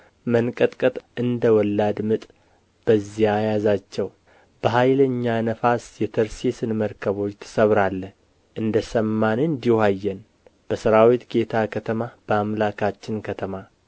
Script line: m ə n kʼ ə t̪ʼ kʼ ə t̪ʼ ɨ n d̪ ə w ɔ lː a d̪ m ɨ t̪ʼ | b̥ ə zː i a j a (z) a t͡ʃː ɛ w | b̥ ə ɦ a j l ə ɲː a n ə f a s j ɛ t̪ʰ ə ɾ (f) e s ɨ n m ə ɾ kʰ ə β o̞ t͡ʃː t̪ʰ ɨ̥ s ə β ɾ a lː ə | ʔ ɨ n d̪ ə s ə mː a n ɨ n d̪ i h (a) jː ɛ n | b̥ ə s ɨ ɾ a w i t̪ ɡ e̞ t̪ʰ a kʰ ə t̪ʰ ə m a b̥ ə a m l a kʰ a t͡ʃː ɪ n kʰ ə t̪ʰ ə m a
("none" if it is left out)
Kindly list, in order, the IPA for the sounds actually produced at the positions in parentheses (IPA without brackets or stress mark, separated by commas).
z, s, a